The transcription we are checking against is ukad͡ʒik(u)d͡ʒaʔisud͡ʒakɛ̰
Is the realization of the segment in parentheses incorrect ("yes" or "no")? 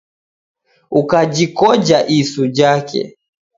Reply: yes